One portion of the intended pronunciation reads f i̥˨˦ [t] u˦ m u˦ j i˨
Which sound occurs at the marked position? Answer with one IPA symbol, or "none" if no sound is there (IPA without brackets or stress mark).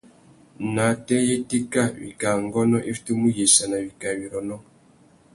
t